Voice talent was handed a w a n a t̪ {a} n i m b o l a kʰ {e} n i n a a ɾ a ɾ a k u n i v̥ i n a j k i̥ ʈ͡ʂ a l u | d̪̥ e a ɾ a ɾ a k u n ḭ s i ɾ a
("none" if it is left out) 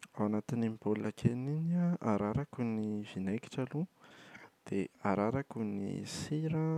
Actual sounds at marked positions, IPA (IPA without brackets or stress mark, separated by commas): i, e